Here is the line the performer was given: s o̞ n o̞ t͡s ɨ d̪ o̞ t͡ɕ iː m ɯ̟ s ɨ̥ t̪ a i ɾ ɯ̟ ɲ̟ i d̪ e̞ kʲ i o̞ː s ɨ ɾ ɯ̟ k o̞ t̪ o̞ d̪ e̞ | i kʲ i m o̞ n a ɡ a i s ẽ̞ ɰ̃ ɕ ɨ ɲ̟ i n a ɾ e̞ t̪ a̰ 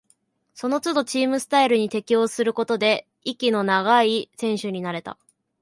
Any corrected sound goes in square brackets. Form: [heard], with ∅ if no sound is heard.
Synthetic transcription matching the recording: s o̞ n o̞ t͡s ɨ d̪ o̞ t͡ɕ iː m ɯ̟ s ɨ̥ t̪ a i ɾ ɯ̟ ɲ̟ i [t̪] e̞ kʲ i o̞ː s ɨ ɾ ɯ̟ k o̞ t̪ o̞ d̪ e̞ | i kʲ i [n] o̞ n a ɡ a i s ẽ̞ ɰ̃ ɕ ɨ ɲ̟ i n a ɾ e̞ t̪ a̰